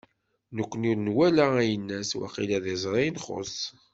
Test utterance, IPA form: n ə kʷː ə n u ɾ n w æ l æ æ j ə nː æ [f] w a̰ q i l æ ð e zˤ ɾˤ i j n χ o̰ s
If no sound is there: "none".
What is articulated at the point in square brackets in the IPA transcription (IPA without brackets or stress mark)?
s